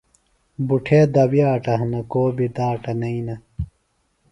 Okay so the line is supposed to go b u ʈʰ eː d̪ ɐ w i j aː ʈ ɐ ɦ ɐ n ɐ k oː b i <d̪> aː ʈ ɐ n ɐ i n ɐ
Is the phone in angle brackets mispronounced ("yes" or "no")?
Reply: no